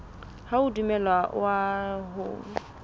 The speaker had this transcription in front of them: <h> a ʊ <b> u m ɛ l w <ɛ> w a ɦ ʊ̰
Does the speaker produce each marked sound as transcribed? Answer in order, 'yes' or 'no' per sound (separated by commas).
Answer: yes, no, no